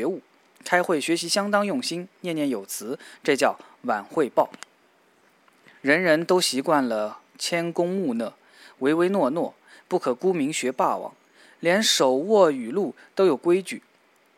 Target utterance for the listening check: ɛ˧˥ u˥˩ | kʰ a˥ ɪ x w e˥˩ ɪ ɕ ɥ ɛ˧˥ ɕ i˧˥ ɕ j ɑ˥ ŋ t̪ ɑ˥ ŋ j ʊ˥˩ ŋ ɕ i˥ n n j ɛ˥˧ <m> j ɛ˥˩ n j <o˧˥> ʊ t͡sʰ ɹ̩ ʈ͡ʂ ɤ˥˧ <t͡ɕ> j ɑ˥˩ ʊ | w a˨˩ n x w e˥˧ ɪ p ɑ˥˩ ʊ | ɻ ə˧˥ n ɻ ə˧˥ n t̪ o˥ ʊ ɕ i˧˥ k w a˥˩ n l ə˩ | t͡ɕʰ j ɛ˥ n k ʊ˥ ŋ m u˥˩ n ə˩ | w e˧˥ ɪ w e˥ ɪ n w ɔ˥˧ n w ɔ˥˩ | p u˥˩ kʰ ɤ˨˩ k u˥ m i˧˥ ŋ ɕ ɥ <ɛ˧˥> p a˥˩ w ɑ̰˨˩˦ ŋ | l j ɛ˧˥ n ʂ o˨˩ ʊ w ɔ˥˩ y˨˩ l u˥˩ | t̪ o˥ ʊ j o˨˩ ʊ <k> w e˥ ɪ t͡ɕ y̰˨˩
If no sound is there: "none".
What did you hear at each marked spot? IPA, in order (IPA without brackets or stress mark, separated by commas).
n, o˨˩, t͡ɕ, ɛ˧˥, k